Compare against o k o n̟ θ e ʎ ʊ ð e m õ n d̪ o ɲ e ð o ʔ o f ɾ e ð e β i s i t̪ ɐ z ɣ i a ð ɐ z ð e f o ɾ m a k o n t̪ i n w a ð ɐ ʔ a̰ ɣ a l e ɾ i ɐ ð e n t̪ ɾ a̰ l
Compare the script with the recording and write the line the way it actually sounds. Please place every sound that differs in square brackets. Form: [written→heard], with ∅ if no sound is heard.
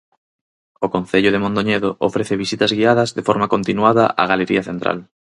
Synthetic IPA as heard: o k o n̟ θ e ʎ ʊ ð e m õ n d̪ o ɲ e ð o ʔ o f ɾ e [ð→θ] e β i s i t̪ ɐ z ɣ i a ð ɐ z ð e f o ɾ m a k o n t̪ i n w a ð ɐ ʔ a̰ ɣ a l e ɾ i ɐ [ð→θ] e n t̪ ɾ a̰ l